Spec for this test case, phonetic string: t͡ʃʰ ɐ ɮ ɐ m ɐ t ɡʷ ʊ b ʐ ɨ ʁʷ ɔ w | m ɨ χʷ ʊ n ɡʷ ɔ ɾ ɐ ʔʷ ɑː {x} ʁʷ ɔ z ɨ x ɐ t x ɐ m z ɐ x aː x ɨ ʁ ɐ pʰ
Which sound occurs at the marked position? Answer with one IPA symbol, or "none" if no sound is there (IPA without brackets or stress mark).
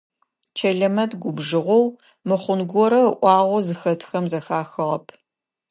none